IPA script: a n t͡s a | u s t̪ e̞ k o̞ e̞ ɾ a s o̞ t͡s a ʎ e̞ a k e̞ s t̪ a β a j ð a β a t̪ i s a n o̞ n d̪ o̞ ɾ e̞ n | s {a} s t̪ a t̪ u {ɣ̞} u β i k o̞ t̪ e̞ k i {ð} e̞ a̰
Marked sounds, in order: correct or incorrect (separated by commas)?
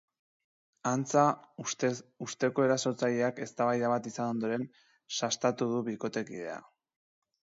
correct, incorrect, correct